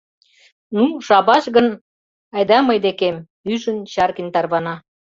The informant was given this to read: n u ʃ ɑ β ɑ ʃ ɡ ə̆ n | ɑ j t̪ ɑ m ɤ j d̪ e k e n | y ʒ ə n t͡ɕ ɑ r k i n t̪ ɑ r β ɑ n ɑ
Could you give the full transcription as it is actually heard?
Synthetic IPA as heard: n u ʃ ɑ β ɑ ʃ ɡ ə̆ n | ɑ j d̪ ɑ m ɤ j d̪ e k e m | y ʒ ə n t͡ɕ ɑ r k i n t̪ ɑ r β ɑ n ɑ